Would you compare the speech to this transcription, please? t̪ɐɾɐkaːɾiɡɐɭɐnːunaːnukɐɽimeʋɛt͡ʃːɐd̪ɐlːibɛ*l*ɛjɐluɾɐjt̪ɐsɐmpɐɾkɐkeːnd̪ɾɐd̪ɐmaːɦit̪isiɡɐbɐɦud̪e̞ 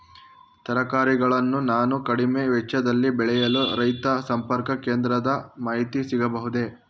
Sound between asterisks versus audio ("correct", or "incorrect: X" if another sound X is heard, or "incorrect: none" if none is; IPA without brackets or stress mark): incorrect: ɭ